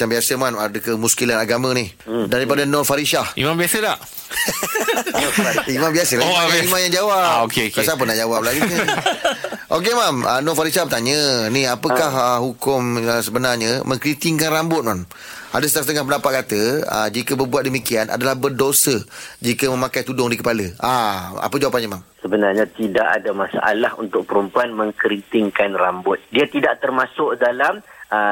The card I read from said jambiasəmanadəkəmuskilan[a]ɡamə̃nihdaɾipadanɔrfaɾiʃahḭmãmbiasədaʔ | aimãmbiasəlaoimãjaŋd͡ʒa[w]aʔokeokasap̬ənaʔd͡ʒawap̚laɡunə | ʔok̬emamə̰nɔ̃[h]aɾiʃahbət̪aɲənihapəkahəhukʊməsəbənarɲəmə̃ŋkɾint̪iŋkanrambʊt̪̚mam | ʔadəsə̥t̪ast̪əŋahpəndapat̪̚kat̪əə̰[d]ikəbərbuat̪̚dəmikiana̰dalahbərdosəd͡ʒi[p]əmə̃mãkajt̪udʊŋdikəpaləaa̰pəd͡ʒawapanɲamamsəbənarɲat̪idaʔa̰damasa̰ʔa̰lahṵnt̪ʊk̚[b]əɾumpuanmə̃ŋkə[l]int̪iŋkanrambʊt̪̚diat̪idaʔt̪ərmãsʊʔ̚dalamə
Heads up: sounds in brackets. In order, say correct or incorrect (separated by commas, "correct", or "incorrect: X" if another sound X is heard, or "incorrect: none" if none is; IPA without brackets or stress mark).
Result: correct, correct, incorrect: f, incorrect: d͡ʒ, incorrect: k, incorrect: p, incorrect: ɾ